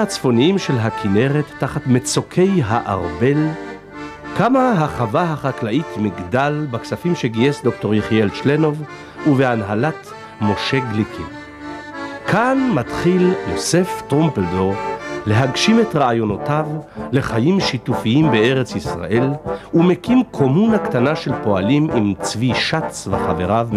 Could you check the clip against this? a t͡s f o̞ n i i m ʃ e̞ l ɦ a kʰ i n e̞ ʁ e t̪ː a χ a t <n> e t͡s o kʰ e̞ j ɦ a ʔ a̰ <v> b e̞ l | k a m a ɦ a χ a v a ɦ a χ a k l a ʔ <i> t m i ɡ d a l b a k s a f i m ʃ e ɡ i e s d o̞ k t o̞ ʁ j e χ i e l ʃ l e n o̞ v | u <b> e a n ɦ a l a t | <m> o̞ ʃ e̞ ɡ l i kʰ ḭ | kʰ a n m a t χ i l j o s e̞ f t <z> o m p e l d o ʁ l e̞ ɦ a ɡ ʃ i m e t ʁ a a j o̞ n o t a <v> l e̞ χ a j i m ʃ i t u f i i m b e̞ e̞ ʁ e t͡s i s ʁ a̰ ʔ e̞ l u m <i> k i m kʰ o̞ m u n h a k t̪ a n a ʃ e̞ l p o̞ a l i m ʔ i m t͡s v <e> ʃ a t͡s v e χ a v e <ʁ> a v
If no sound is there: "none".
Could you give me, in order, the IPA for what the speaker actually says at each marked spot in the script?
m, ʁ, i, v, m, ʁ, v, e, i, ʁ

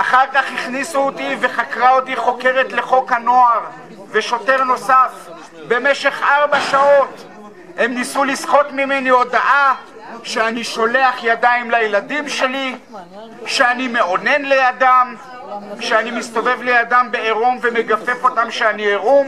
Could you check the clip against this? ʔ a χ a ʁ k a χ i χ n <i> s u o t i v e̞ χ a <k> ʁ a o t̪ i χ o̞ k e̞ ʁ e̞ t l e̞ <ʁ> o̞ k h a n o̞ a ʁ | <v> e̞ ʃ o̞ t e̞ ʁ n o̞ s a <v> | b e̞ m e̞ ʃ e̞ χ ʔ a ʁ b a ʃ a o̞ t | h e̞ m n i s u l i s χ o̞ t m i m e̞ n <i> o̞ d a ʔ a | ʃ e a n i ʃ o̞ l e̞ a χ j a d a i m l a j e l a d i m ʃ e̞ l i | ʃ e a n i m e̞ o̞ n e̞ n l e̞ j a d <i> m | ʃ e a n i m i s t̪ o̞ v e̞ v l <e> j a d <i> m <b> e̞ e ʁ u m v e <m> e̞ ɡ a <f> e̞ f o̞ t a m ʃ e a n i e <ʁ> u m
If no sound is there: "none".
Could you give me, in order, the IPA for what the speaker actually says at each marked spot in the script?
i, k, χ, v, f, i, a, e, a, b, m, f, ʁ

